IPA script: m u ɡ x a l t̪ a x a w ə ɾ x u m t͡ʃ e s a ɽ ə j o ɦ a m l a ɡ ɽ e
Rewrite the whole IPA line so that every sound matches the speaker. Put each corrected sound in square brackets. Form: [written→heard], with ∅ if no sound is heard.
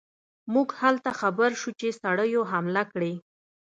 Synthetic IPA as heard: m u ɡ [x→h] a l t̪ a x a [w→b] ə ɾ [x→ʃ] u [m→∅] t͡ʃ e s a ɽ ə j o ɦ a m l a [ɡ→k] ɽ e